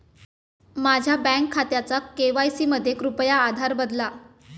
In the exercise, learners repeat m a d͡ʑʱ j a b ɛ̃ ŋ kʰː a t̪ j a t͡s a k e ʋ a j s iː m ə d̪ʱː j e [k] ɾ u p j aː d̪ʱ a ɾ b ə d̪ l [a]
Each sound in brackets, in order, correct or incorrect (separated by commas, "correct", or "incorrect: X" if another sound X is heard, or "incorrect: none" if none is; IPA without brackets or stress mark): correct, correct